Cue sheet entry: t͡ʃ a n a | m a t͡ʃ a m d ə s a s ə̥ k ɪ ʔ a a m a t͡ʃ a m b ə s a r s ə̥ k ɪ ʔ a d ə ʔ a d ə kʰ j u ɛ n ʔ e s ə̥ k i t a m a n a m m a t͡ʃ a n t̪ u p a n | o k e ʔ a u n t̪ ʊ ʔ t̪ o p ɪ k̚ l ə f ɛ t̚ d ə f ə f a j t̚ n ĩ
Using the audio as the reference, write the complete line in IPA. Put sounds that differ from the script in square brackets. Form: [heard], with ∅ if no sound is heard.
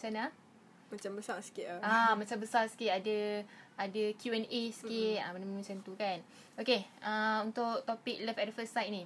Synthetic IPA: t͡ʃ a n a | m a t͡ʃ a m [b] ə s a s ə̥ k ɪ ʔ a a m a t͡ʃ a m b ə s a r s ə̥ k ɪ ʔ a d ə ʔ a d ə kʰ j u ɛ n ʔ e s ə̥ k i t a m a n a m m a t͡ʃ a n t̪ u [k] a n | o k e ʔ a u n t̪ ʊ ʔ t̪ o p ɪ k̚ l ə f ɛ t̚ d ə f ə [s] a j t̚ n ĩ